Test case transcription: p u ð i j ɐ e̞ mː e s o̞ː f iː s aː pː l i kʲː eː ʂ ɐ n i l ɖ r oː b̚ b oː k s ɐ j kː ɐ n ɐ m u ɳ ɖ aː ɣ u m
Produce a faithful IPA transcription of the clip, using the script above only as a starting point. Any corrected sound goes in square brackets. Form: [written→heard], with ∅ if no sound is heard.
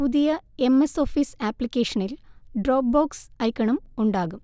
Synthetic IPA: p u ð i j ɐ e̞ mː e s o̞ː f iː s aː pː l i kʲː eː ʂ ɐ n i l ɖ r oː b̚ b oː k s ɐ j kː ɐ [n→ɳ] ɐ m u ɳ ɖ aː ɣ u m